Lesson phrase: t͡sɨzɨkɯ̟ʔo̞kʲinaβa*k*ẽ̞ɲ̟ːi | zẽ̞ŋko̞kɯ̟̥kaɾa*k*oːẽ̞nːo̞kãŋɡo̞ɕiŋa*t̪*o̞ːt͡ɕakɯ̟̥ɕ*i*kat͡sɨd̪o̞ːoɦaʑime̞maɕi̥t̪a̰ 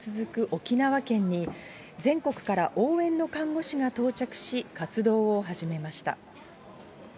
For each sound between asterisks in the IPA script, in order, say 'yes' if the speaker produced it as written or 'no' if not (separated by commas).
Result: yes, no, yes, yes